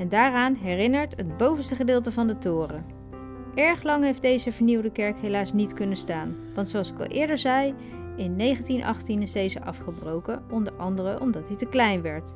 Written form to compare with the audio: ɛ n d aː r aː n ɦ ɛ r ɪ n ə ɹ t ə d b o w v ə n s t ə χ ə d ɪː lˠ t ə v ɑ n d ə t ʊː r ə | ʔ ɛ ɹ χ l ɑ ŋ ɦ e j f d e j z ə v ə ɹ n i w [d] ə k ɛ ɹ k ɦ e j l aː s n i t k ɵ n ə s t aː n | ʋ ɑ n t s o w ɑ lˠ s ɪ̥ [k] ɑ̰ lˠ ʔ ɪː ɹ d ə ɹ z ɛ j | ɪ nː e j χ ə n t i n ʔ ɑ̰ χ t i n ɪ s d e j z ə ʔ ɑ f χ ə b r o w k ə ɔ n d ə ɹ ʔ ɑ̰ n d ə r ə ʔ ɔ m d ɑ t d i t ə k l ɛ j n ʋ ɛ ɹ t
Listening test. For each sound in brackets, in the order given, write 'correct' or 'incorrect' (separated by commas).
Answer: correct, correct